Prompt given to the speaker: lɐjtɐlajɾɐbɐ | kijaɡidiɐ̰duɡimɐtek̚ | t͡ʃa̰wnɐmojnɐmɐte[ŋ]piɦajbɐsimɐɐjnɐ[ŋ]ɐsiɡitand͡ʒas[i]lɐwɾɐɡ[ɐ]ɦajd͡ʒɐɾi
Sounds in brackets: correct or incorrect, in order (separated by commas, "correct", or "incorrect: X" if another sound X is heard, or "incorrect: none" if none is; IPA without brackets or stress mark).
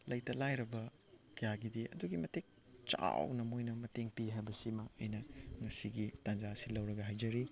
correct, correct, correct, correct